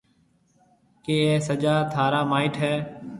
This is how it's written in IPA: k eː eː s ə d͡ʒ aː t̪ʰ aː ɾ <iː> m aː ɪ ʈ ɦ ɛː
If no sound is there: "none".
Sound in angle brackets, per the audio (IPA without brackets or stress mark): aː